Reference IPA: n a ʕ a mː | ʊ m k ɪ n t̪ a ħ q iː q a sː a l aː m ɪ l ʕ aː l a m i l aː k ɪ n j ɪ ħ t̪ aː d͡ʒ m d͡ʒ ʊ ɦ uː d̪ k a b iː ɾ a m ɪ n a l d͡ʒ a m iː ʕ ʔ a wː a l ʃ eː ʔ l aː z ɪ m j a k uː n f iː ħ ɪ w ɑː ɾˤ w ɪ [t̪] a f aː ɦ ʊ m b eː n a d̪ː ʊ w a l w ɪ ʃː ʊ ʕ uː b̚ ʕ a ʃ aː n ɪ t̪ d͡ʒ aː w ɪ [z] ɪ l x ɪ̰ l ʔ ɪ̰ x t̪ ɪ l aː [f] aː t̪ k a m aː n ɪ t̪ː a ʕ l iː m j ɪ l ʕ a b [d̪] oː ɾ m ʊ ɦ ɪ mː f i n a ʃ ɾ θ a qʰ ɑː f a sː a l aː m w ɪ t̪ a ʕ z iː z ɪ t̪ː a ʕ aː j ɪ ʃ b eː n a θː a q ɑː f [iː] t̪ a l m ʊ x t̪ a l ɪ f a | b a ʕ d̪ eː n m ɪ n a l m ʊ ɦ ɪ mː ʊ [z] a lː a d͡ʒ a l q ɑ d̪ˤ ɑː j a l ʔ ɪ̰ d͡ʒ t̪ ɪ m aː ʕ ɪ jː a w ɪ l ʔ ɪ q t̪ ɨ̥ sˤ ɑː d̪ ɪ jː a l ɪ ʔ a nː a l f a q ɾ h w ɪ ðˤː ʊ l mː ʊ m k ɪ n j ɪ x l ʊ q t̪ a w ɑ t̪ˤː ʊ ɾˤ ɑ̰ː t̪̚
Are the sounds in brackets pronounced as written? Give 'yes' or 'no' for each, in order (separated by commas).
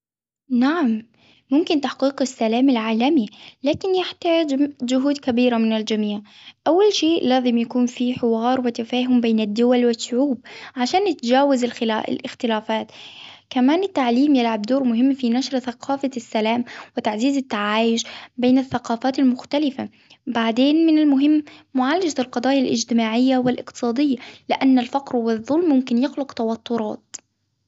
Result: yes, yes, yes, yes, no, no